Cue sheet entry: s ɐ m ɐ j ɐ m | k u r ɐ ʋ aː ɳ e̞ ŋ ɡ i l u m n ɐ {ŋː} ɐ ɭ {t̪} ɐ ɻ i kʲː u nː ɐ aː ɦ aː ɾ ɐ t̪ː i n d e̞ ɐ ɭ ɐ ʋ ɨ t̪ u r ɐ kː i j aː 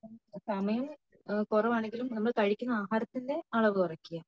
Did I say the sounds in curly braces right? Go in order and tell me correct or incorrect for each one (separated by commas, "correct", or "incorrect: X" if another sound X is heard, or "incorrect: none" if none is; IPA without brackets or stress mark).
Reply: incorrect: mː, correct